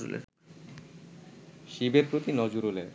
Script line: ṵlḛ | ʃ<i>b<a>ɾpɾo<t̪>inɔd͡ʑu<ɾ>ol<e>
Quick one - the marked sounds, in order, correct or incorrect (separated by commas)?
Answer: correct, incorrect, correct, correct, correct